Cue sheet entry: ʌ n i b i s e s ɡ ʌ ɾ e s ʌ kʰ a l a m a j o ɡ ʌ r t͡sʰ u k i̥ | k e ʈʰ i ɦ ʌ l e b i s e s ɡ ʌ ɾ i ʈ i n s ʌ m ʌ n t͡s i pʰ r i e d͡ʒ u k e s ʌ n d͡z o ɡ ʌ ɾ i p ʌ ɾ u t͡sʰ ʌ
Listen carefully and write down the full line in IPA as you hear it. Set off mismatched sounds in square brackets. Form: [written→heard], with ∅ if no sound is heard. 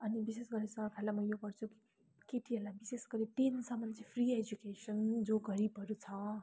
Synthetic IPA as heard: ʌ n i b i s e s ɡ ʌ ɾ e s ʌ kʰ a l a m [a→ʌ] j o ɡ ʌ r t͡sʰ u k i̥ | k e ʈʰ i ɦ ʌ l [e→a] b i s e s ɡ ʌ ɾ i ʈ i n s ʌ m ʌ n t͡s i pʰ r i e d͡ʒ u k e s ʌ n d͡z o ɡ ʌ ɾ i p ʌ ɾ u t͡sʰ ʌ